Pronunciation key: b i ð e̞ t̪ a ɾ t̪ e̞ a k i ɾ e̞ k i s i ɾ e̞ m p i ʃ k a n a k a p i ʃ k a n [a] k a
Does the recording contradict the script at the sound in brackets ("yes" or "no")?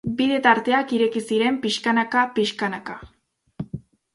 no